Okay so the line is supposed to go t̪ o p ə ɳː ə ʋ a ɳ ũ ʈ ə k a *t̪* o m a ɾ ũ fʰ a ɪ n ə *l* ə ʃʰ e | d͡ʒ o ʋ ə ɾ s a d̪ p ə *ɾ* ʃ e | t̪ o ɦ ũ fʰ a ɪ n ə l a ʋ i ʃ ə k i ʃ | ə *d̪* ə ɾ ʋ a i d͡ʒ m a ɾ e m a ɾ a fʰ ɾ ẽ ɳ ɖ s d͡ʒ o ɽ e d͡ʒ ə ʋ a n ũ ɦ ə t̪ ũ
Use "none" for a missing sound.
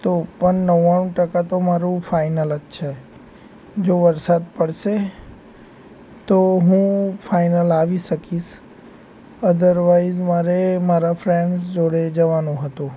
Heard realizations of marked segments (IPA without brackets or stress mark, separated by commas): t̪, l, ɽ, d̪